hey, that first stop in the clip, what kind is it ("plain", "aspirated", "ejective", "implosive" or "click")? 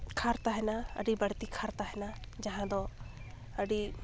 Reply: aspirated